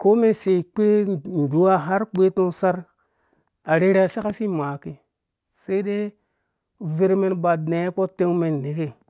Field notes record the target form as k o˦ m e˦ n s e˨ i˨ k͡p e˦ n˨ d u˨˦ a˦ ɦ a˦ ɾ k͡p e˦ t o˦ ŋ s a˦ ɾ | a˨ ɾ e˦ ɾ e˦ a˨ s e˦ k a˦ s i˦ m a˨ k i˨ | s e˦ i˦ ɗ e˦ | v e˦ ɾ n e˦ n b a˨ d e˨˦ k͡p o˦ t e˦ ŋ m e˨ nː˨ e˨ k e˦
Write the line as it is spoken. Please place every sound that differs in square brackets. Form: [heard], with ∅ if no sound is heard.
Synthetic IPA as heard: k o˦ m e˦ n s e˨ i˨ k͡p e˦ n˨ d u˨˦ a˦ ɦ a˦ ɾ k͡p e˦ t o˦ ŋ s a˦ ɾ | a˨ ɾ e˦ ɾ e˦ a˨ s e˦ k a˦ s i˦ m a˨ k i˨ | s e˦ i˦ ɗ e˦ | v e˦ ɾ [m] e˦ n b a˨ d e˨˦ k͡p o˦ t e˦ ŋ m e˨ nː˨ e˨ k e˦